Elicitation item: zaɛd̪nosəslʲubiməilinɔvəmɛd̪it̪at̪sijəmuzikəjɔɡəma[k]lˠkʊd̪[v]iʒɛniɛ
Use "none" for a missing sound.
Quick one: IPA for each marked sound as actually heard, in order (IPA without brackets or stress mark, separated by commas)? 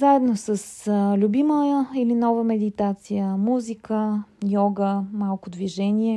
none, v